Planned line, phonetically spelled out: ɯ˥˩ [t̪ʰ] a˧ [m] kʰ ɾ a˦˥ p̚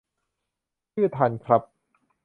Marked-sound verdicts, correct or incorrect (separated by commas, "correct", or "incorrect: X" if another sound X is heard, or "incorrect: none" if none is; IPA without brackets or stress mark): correct, incorrect: n